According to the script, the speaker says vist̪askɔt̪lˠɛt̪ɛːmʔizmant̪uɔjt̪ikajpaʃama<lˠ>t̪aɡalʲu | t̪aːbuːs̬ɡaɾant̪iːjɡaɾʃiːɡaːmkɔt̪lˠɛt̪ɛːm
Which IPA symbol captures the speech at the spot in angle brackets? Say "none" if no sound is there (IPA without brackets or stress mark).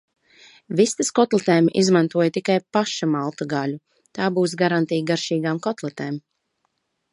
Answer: lˠ